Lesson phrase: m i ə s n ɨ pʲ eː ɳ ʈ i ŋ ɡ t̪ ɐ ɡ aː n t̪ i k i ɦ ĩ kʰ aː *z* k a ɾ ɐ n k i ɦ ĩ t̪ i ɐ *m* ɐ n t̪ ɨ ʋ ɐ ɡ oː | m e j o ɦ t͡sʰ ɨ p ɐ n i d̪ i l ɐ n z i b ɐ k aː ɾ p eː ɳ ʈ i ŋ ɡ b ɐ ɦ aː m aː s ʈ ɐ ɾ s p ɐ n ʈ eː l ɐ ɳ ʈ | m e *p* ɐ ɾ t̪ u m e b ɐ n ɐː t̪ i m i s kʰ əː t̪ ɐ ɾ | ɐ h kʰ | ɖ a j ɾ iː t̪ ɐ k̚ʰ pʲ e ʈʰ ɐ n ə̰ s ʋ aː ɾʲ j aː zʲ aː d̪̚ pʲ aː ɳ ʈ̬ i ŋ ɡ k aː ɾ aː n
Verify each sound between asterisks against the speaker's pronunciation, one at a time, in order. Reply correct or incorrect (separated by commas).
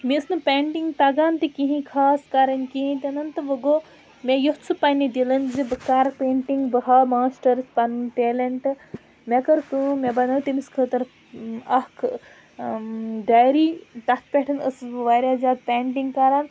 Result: incorrect, incorrect, incorrect